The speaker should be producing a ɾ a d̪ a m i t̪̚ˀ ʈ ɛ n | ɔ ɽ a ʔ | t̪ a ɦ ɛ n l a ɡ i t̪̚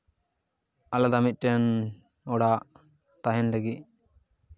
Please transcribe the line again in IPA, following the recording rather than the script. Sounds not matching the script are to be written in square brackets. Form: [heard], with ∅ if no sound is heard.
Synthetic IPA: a [l] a d̪ a m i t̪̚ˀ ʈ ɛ n | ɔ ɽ a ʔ | t̪ a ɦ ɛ n l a ɡ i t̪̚